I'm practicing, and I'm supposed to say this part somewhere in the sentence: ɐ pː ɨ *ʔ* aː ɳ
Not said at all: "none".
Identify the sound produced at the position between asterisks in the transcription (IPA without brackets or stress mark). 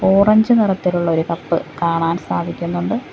k